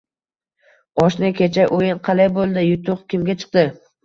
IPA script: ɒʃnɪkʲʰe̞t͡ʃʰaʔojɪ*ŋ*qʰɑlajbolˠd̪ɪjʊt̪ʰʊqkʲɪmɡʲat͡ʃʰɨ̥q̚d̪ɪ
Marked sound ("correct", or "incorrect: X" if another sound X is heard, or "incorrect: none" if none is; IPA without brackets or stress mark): incorrect: n